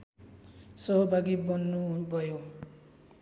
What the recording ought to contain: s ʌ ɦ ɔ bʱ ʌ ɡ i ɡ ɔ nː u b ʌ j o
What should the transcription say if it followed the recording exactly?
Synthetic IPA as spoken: s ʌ ɦ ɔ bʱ a ɡ i b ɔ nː u b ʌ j o

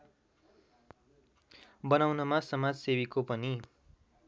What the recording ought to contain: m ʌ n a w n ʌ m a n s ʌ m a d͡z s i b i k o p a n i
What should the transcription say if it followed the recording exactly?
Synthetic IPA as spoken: b ʌ n a w n ʌ m a s ʌ m a d͡z s e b i k o p ʌ n i

